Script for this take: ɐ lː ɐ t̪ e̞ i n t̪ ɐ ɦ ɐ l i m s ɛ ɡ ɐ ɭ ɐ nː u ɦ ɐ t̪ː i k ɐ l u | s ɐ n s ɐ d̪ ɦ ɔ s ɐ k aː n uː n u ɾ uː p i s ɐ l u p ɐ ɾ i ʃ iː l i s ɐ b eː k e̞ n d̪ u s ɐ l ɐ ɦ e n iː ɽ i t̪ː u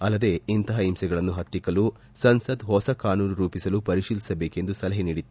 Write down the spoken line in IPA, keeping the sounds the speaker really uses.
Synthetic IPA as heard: ɐ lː ɐ d̪ e̞ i n t̪ ɐ ɦ ɐ i m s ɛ ɡ ɐ ɭ ɐ nː u ɦ ɐ t̪ː i k ɐ l u | s ɐ n s ɐ d̪ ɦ ɔ s ɐ k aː n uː n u ɾ uː p i s ɐ l u p ɐ ɾ i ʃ iː l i s ɐ b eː k e̞ n d̪ u s ɐ l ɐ ɦ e n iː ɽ i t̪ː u